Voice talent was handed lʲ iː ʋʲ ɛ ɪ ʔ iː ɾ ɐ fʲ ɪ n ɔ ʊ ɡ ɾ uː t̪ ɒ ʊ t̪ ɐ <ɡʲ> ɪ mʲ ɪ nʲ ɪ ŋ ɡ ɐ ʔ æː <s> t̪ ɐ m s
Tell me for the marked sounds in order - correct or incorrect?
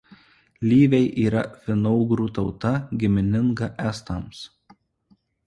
correct, correct

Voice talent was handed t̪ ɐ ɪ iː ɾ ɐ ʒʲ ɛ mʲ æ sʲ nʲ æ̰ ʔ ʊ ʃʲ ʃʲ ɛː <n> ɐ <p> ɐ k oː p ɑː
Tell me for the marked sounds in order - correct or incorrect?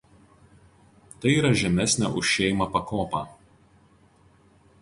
incorrect: m, correct

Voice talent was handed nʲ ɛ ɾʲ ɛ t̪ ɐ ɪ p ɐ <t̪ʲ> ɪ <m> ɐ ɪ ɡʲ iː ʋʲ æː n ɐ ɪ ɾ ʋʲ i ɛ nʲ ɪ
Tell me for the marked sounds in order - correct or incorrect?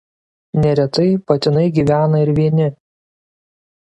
correct, incorrect: n

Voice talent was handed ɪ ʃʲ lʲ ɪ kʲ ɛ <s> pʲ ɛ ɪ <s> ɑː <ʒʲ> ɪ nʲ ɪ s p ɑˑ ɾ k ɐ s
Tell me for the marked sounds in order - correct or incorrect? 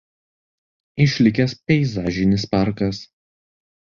correct, incorrect: z, correct

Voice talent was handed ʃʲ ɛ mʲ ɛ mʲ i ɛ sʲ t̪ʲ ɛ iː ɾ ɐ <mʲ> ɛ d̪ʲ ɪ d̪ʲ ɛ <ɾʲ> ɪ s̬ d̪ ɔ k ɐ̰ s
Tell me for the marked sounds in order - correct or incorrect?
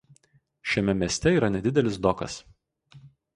incorrect: nʲ, incorrect: lʲ

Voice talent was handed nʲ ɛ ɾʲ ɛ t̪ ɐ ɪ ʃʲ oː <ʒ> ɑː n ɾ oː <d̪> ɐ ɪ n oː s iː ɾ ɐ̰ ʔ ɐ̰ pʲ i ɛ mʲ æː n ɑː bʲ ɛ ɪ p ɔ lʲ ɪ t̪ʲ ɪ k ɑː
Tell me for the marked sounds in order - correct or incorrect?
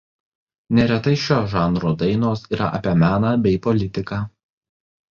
correct, correct

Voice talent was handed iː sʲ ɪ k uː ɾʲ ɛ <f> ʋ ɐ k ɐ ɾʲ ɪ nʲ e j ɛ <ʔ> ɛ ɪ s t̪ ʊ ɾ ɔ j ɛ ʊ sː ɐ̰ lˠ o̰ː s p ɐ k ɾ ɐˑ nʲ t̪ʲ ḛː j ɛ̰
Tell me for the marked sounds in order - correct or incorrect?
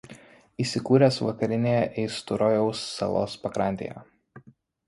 incorrect: s, correct

